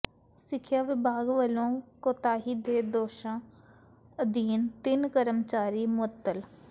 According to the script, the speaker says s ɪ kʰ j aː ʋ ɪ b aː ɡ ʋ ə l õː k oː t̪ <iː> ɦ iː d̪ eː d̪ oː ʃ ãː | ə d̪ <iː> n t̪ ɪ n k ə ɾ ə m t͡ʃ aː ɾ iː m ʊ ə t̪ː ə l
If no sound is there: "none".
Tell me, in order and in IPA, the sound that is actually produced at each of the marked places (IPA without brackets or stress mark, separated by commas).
aː, iː